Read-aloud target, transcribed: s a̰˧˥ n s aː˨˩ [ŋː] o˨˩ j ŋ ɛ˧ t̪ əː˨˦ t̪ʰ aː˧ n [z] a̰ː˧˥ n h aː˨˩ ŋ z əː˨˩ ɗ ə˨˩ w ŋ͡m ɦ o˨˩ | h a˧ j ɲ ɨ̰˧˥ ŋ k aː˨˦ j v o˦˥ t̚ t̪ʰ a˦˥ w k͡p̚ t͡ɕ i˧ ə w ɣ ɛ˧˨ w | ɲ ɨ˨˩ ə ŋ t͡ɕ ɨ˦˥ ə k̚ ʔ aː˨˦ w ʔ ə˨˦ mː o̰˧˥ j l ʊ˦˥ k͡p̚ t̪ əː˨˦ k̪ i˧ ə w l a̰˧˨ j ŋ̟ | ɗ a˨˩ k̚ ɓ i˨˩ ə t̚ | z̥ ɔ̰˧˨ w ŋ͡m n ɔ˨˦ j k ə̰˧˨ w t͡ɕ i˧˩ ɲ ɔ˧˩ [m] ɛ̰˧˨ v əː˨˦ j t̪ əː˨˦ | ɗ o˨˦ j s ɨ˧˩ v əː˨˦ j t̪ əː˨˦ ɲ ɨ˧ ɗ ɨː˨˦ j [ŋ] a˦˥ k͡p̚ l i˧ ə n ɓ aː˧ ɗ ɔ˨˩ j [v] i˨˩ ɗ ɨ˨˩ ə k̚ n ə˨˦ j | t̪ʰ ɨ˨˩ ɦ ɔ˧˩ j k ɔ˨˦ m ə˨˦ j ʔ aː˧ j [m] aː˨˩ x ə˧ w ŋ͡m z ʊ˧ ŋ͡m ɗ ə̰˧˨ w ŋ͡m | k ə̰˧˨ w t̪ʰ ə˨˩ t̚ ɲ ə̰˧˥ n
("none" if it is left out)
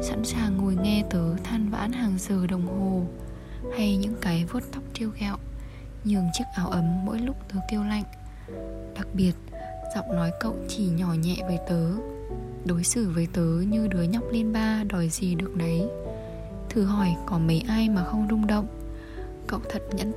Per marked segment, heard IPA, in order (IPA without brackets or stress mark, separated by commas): ŋː, v, ɲ, ɲ, z, m